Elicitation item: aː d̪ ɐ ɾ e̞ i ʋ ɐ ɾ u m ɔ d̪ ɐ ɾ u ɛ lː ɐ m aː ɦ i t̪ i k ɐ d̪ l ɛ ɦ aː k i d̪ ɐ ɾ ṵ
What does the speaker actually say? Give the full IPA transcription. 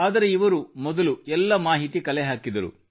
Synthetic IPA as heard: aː d̪ ɐ ɾ e̞ i ʋ ɐ ɾ u m ɔ d̪ ɐ l u ɛ lː ɐ m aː ɦ i t̪ i k ɐ l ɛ ɦ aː k i d̪ ɐ ɾ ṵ